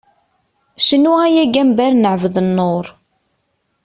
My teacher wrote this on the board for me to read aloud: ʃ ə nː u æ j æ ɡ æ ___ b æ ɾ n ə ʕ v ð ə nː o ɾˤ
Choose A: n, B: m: B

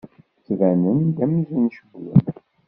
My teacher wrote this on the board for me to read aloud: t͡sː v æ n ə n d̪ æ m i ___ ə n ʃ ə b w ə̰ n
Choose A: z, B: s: A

